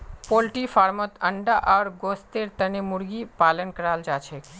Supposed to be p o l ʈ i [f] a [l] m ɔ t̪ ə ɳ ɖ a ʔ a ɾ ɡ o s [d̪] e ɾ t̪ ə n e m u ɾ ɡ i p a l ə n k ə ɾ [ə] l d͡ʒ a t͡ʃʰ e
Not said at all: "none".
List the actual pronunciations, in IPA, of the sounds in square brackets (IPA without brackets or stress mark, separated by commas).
f, ɾ, t̪, a